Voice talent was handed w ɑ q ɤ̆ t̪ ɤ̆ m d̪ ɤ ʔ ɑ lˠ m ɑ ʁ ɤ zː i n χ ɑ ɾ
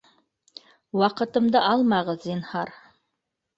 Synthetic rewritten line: w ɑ q ɤ̆ t̪ ɤ̆ m d̪ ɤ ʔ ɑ lˠ m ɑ ʁ ɤ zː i n h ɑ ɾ